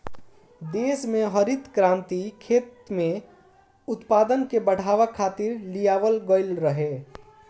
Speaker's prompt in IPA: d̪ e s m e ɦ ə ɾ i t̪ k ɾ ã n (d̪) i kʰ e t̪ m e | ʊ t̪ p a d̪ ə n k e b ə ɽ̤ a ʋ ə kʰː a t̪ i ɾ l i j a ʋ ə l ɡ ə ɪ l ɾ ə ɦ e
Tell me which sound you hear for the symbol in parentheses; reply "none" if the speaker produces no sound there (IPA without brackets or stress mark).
t̪